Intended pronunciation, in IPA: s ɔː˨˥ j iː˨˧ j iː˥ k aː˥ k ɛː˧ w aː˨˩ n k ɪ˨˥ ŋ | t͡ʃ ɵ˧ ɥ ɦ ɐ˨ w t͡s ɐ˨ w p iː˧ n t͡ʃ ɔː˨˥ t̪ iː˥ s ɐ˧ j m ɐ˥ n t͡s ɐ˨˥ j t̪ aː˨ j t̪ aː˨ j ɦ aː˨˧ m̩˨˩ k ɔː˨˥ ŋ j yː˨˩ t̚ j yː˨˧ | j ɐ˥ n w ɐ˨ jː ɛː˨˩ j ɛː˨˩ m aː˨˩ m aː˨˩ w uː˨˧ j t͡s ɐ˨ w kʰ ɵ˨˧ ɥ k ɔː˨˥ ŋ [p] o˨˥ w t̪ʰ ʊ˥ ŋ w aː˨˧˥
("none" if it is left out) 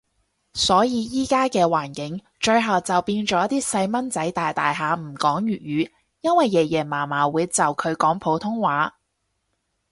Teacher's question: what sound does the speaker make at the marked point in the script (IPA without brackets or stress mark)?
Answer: pʰ